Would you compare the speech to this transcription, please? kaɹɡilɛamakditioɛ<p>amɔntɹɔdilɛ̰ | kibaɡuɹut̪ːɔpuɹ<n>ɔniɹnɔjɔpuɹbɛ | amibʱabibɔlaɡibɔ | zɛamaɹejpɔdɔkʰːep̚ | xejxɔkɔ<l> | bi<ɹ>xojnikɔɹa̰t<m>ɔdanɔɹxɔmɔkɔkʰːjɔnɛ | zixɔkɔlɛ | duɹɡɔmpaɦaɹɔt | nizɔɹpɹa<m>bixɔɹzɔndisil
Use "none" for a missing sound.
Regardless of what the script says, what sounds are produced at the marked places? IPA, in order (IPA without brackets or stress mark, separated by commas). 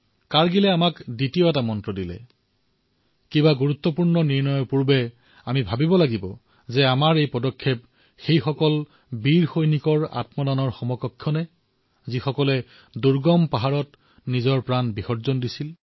t, n, l, ɹ, m, n